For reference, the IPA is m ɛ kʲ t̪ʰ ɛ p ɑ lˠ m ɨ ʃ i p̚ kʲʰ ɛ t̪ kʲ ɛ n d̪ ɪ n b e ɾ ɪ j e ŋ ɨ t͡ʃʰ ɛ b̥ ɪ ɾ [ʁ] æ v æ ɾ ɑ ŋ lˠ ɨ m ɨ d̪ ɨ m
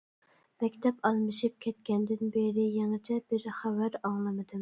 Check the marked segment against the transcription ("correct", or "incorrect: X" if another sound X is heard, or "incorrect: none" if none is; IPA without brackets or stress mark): incorrect: χ